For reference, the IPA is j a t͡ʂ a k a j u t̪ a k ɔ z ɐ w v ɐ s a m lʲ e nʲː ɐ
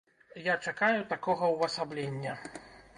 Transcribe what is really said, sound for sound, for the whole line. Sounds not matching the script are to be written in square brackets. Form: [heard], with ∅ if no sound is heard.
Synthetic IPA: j a t͡ʂ a k a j u t̪ a k ɔ [ɣ] ɐ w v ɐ s a [b] lʲ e nʲː ɐ